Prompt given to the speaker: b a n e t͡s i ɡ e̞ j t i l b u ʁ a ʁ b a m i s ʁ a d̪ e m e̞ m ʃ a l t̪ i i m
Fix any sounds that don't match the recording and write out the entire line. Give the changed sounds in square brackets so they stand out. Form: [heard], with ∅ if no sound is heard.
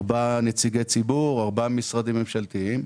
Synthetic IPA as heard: b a n e t͡s i ɡ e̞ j [t͡s] i [∅] b u ʁ a ʁ b a m i s ʁ a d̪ [i] m e̞ m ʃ a l t̪ i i m